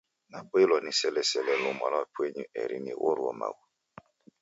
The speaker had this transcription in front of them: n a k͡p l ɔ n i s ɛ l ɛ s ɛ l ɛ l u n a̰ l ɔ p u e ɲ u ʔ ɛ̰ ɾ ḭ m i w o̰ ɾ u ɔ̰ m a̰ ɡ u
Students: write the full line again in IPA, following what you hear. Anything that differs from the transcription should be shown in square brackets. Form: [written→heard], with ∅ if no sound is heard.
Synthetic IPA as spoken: n a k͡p l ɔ n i s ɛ l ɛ s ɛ l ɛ l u [n→m] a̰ l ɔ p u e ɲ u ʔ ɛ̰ ɾ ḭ [m→n] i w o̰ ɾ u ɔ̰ m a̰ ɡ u